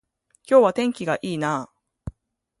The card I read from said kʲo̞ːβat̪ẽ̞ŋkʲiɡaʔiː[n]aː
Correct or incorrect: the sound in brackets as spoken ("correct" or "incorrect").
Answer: correct